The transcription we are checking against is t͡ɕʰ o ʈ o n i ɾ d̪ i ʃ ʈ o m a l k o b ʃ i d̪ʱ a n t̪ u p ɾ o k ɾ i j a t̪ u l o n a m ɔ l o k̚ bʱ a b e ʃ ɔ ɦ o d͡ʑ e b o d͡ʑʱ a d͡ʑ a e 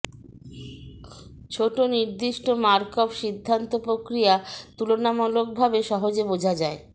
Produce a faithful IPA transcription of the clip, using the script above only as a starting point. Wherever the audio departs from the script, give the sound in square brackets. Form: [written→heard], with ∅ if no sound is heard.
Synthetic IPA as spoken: t͡ɕʰ o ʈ o n i ɾ d̪ i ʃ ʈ o m a [l→ɾ] k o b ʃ i [d̪ʱ→d̪ʱː] a n t̪ [u→o] p ɾ o k ɾ i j a t̪ u l o n a m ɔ l o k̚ bʱ a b e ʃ ɔ ɦ o d͡ʑ e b o d͡ʑʱ a d͡ʑ a e